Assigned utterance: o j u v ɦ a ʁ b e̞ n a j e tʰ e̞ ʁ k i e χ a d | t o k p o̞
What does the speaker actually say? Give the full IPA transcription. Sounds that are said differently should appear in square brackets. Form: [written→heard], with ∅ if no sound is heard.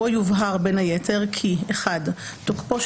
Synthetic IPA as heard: o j u v ɦ a ʁ b e̞ n a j e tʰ e̞ ʁ [k→kʰ] i e χ a d | t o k p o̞